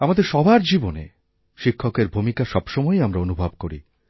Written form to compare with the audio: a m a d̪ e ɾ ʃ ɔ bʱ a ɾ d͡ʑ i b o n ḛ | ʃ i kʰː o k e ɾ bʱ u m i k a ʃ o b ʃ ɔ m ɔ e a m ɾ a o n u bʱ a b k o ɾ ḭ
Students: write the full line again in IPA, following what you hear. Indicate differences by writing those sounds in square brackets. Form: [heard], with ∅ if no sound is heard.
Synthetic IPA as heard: a m a d̪ e ɾ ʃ ɔ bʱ a ɾ d͡ʑ i b o n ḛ | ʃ i kʰː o k e ɾ bʱ u m i k a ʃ [ɔ] b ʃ ɔ m ɔ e a m ɾ a o n u bʱ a b k o ɾ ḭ